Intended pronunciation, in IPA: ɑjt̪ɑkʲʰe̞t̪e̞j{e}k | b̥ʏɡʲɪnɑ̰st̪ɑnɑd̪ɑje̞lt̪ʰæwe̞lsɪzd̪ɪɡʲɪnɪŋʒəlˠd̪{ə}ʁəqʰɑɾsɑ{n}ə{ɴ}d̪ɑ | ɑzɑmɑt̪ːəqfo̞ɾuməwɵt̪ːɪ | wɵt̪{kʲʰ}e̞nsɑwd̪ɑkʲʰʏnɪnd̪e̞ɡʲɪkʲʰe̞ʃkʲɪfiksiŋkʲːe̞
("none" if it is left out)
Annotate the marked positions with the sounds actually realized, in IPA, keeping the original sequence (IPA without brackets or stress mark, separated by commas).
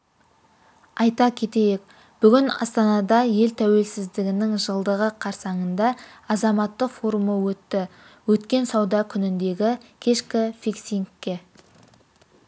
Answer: e, ə, ɴ, n, kʲ